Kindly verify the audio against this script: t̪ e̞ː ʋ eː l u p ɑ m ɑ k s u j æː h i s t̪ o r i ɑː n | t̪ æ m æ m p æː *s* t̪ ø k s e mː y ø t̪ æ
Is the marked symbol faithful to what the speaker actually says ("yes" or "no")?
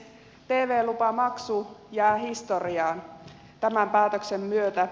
no